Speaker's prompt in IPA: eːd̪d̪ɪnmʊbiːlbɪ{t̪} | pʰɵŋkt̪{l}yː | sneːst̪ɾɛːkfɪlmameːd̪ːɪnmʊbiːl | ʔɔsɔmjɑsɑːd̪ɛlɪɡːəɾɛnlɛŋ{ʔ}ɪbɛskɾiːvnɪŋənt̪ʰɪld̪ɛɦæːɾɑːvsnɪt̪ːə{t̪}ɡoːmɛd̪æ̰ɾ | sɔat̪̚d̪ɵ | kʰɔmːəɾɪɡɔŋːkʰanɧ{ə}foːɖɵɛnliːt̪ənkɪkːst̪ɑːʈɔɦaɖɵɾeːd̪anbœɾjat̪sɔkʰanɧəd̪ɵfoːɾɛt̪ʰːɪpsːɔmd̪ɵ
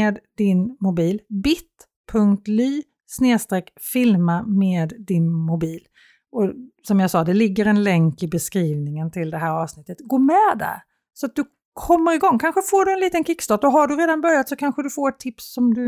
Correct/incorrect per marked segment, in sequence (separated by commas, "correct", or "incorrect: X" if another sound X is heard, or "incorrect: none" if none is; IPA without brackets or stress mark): correct, correct, incorrect: k, correct, correct